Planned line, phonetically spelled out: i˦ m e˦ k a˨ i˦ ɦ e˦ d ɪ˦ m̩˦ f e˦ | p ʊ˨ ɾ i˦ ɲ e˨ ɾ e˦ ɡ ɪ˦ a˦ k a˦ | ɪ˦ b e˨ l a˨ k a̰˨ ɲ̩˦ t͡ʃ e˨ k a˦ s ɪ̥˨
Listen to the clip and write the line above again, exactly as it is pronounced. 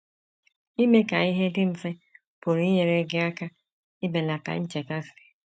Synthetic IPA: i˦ m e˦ k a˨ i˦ ɦ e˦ d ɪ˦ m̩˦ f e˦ | p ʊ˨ ɾ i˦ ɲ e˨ ɾ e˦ ɡ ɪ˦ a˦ k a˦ | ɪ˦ b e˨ l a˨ k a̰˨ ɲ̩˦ t͡ʃ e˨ k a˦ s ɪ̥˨